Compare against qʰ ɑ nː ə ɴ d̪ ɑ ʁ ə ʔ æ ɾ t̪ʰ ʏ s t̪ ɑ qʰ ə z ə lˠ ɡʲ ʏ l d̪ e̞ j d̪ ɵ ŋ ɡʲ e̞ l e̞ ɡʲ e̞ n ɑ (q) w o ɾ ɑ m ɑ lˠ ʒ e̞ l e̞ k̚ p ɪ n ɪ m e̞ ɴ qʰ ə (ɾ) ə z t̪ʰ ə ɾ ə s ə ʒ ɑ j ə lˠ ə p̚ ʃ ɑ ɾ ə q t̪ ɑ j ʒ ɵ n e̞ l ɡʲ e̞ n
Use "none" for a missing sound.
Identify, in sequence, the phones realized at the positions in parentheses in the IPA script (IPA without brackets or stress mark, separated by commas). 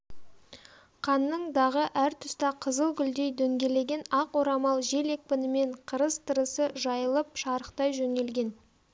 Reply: q, ɾ